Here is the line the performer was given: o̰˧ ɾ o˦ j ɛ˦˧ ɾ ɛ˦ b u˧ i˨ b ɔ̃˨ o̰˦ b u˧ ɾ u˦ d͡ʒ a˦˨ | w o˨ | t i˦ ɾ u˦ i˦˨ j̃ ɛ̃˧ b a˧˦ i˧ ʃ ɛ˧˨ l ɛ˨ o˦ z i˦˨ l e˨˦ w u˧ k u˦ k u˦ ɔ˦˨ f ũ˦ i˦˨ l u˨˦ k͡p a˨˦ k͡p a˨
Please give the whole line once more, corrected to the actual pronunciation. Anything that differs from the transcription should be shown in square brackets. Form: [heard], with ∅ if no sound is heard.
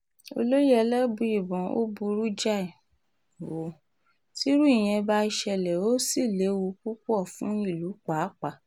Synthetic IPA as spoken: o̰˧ [l] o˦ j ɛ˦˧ [l] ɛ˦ b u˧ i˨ b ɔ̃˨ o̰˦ b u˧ ɾ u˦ d͡ʒ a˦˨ | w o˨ | t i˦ ɾ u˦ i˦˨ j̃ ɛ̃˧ b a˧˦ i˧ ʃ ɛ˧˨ l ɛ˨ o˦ [s] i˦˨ l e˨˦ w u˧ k u˦ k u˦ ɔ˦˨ f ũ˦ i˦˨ l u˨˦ k͡p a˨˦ k͡p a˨

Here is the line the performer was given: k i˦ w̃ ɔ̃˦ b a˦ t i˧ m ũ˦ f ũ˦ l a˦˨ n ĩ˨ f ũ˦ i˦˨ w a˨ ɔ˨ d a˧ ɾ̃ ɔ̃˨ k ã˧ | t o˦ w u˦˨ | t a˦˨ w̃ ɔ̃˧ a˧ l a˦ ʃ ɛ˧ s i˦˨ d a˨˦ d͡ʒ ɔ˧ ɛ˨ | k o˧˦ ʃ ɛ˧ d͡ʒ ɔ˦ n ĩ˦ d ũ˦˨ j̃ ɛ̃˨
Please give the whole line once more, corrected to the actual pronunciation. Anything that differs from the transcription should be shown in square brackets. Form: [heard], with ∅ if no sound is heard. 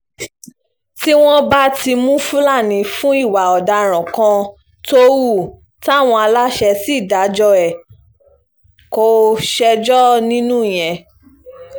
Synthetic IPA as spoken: [t] i˦ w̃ ɔ̃˦ b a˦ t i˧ m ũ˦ f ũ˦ l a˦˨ n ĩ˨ f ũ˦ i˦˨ w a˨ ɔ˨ d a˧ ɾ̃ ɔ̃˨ k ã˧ | t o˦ w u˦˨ | t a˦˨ w̃ ɔ̃˧ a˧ l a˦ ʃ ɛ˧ s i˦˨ d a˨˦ d͡ʒ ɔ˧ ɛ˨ | k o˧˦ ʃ ɛ˧ d͡ʒ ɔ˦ n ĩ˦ [n] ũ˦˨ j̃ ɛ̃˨

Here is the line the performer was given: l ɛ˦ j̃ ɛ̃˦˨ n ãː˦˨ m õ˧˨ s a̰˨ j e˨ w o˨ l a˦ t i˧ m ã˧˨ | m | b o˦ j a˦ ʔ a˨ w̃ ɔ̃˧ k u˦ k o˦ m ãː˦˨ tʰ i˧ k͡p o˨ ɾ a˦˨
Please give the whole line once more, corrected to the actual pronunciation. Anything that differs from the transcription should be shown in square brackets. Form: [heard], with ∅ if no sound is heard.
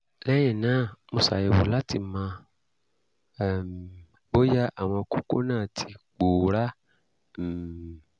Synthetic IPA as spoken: l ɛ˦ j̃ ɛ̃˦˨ n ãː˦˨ m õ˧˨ s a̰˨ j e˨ w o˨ l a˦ t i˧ m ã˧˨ | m | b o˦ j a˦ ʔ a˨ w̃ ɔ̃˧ k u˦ k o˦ [n] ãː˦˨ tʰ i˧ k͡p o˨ ɾ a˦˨

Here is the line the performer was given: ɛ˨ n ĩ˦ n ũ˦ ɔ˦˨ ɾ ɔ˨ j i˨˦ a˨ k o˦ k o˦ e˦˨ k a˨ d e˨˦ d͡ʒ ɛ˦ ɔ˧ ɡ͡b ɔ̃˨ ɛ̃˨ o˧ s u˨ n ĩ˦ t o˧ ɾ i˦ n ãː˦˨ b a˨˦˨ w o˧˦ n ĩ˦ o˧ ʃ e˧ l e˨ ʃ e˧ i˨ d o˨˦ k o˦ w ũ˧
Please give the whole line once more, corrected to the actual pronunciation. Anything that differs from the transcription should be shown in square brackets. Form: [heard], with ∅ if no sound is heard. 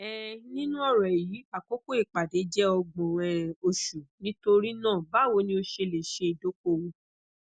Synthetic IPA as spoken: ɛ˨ n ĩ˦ n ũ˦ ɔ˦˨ ɾ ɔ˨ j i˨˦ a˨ k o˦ k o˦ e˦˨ [k͡p] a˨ d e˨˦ d͡ʒ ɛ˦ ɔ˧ ɡ͡b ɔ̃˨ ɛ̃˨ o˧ [ʃ] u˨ n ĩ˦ t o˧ ɾ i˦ n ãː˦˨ b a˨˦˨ w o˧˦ n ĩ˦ o˧ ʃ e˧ l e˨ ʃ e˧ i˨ d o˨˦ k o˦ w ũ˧

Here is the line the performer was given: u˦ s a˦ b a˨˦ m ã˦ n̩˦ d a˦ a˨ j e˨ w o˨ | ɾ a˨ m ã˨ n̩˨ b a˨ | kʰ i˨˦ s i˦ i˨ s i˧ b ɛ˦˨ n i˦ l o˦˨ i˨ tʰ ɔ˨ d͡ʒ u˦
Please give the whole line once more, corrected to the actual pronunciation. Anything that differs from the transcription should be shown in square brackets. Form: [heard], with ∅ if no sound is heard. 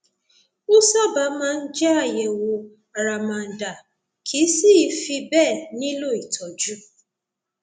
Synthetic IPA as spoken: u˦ s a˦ b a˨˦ m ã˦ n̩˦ [d͡ʒ] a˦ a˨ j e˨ w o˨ | ɾ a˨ m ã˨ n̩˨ [d] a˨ | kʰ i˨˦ s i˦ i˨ [f] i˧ b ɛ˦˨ n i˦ l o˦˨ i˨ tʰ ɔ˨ d͡ʒ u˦

